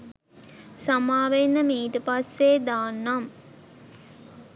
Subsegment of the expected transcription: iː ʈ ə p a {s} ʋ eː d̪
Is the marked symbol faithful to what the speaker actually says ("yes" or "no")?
yes